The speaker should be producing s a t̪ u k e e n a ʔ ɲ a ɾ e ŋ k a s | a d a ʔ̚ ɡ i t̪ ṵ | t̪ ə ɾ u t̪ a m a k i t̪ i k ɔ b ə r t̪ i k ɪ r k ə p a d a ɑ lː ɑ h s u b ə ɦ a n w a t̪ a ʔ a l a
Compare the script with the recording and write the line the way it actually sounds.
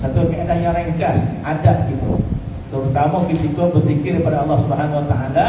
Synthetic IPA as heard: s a t̪ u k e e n a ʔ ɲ a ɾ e ŋ k a s | a d a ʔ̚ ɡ i t̪ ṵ | t̪ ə ɾ u t̪ a m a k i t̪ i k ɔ b ə r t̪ i k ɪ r k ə p a d a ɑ lː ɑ h s u b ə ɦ a n w a t̪ a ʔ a l a